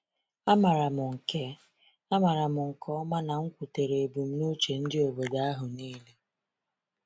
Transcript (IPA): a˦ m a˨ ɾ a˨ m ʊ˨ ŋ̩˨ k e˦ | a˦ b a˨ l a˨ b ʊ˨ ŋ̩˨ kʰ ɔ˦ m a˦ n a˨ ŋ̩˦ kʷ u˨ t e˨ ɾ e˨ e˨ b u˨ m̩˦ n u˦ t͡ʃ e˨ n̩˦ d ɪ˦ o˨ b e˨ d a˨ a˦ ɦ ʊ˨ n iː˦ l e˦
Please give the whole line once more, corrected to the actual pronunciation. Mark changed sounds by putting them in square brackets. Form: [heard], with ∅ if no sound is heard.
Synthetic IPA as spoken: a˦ m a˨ ɾ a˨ m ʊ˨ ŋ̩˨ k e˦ | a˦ [m] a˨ [ɾ] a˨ [m] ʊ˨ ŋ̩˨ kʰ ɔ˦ m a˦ n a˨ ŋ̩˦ kʷ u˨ t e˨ ɾ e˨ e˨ b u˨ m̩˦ n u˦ t͡ʃ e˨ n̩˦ d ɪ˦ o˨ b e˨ d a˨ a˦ ɦ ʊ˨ n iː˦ l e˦